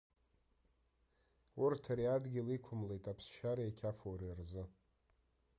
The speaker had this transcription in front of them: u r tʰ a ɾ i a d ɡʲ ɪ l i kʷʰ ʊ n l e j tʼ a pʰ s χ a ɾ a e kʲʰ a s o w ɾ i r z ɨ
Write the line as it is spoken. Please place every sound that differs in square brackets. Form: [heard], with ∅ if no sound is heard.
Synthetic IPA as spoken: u r tʰ a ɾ i a d ɡʲ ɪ l i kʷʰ ʊ [m] l e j tʼ a pʰ s [ʃ] a ɾ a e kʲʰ a [f] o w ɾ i r z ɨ